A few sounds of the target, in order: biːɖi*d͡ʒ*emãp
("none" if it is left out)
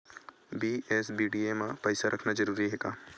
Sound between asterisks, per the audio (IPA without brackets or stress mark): none